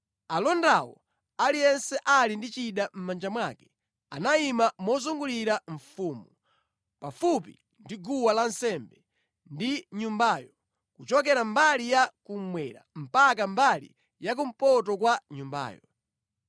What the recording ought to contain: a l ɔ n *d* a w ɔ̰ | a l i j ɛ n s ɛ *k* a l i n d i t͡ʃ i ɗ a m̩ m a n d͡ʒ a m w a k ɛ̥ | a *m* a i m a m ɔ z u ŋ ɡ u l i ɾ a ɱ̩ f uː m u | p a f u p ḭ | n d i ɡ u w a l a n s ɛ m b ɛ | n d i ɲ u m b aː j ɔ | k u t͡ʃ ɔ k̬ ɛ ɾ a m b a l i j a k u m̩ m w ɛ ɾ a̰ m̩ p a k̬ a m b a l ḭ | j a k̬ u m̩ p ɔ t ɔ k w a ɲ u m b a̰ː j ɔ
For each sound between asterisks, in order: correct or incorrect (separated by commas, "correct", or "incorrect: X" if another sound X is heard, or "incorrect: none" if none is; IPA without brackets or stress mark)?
correct, incorrect: ʔ, incorrect: n